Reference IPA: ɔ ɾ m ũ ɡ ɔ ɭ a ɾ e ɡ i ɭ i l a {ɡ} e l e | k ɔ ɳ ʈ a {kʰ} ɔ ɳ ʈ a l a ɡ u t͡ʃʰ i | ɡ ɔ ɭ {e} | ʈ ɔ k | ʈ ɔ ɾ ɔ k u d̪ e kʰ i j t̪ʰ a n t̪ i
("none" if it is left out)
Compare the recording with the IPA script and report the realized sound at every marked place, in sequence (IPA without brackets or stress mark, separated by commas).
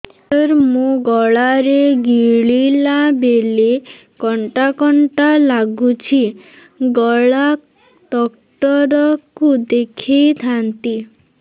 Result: b, k, a